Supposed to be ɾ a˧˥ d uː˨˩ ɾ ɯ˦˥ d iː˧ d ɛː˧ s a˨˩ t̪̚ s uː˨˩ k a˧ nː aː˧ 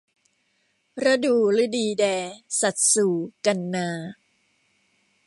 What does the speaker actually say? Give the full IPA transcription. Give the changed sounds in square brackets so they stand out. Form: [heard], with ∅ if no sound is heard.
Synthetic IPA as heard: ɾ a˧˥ d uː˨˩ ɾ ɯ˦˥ d iː˧ d ɛː˧ s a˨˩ t̪̚ s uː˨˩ k a˧ nː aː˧